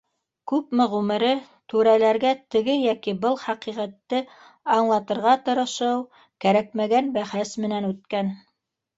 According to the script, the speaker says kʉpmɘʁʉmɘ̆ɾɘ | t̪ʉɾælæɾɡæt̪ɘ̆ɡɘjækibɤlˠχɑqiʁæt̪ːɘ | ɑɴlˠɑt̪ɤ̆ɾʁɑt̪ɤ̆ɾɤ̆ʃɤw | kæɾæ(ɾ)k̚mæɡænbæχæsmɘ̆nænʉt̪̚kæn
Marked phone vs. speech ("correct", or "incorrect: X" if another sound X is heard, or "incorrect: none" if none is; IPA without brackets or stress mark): incorrect: none